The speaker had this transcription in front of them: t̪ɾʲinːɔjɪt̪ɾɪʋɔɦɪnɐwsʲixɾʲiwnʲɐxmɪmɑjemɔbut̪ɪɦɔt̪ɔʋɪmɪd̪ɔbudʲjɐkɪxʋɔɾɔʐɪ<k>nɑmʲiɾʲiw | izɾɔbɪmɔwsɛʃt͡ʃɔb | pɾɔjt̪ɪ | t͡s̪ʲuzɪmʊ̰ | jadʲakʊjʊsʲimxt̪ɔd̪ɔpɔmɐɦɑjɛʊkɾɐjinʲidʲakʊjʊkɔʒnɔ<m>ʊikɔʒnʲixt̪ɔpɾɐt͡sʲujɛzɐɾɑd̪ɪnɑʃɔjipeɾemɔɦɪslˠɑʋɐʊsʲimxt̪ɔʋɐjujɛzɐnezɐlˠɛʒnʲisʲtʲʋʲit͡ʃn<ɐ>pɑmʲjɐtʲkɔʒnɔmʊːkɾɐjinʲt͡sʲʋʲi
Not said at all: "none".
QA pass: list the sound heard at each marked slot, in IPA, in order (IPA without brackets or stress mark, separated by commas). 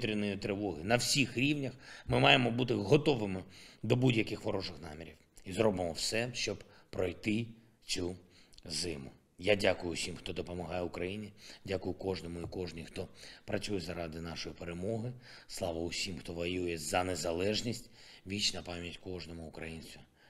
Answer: x, m, ɐ